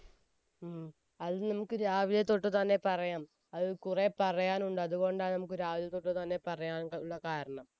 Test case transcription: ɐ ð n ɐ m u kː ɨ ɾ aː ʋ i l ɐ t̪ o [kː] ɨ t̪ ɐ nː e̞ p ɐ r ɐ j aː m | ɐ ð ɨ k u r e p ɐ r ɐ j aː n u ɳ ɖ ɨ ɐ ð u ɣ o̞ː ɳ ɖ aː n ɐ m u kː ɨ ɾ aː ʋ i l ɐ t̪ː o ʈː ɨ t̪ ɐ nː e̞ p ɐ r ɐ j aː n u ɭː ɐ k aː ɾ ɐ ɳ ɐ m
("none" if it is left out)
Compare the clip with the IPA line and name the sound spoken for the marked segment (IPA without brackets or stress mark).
ʈː